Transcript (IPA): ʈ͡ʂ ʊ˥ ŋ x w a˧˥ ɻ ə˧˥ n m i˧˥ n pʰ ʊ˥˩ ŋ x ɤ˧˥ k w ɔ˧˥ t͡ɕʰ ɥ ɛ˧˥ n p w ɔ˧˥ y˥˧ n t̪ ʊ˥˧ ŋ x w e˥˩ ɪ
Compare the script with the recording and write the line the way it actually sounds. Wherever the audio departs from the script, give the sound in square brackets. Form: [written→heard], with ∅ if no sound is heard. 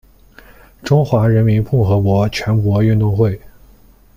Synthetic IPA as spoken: ʈ͡ʂ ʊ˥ ŋ x w a˧˥ ɻ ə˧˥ n m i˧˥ n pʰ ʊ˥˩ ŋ x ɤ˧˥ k w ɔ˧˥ t͡ɕʰ ɥ ɛ˧˥ n [p→k] w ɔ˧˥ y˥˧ n t̪ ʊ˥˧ ŋ x w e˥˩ ɪ